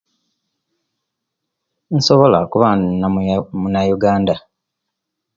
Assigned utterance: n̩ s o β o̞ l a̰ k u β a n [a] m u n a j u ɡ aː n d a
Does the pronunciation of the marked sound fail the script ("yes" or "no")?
no